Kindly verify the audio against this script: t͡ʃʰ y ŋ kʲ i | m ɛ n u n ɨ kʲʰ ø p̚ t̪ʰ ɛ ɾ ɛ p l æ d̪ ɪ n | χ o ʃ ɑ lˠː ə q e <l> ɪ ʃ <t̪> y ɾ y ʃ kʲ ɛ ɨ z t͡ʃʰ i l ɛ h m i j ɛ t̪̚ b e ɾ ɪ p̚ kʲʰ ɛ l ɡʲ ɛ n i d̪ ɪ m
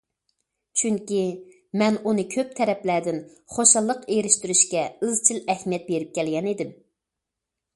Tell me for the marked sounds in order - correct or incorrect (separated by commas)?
incorrect, correct